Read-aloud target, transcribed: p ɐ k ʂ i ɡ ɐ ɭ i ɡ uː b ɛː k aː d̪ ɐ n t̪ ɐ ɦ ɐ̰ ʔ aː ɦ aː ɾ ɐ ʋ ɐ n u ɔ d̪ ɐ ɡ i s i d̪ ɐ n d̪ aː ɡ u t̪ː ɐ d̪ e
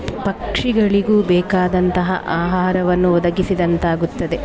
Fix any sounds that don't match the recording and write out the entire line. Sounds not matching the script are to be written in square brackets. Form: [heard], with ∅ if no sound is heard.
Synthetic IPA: p ɐ k ʂ i ɡ ɐ ɭ i ɡ uː b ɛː k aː d̪ ɐ n t̪ ɐ ɦ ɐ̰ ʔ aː ɦ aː ɾ ɐ ʋ ɐ [nː] u ɔ d̪ ɐ ɡ i s i d̪ ɐ n [t̪] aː ɡ u t̪ː ɐ d̪ e